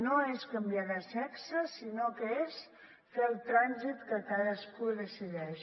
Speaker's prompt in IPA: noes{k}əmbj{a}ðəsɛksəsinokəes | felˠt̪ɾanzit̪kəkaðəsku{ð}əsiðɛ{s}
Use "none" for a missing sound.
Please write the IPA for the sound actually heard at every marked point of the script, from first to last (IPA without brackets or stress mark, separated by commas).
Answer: k, a, ð, ʃ